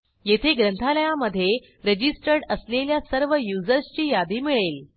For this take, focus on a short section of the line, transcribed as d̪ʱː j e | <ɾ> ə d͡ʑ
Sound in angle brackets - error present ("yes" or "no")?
no